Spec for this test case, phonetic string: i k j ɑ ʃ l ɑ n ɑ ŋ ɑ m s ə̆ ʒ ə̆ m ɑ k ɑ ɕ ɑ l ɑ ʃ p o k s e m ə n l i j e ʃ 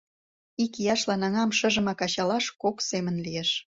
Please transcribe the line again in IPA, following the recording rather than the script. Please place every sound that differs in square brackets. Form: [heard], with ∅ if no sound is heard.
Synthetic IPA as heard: i k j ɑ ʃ l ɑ n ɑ ŋ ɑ m [ʃ] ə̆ ʒ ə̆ m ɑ k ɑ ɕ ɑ l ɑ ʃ [k] o k s e m ə n l i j e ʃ